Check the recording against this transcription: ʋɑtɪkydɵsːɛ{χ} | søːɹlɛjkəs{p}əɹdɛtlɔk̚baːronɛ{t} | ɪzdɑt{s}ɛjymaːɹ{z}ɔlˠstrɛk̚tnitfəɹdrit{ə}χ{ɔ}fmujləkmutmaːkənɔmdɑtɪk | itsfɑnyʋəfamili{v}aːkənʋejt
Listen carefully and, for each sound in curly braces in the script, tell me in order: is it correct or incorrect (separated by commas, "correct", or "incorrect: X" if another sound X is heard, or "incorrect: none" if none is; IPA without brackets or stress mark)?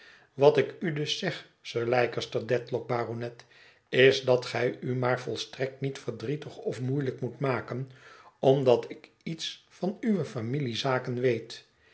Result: correct, incorrect: t, correct, incorrect: χ, incorrect: v, correct, correct, incorrect: z